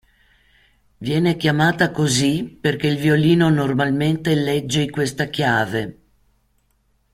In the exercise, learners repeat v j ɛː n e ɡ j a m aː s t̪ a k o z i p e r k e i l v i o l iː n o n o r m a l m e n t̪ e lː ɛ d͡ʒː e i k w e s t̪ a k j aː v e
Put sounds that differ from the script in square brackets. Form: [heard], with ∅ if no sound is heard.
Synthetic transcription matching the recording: v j ɛː n e [k] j a m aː [∅] t̪ a k o z i p e r k e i l v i o l iː n o n o r m a l m e n t̪ e [l] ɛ d͡ʒː e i k w e s t̪ a k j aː v e